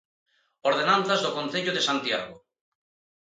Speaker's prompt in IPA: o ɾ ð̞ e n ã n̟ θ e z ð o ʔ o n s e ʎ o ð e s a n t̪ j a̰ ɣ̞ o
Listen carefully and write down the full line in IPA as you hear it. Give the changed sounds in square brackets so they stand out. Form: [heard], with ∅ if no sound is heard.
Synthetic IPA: o ɾ ð̞ e n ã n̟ θ [a] z ð o [k] o n [θ] e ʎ o ð e s a n t̪ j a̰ ɣ̞ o